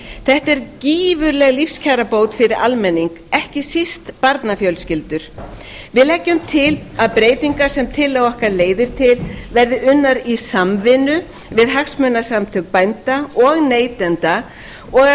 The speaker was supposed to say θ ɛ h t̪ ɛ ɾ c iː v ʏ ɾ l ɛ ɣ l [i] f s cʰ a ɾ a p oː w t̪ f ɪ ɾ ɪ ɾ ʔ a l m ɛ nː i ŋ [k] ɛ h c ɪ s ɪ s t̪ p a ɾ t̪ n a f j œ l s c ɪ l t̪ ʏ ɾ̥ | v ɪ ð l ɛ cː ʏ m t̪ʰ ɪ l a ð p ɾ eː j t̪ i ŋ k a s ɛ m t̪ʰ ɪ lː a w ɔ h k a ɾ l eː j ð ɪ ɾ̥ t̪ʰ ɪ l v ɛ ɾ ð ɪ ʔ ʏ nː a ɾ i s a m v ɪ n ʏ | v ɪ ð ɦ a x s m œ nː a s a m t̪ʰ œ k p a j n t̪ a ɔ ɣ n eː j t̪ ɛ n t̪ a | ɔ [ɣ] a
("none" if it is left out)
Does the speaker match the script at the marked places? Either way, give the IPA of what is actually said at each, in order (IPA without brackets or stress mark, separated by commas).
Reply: i, k, ɣ